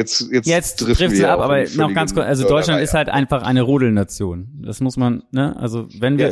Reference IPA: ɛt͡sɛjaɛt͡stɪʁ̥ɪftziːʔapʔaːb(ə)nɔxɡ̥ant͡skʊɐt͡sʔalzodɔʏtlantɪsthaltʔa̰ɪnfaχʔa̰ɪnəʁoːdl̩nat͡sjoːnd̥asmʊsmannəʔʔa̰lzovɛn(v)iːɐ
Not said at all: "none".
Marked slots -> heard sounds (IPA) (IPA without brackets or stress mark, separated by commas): ɐ, v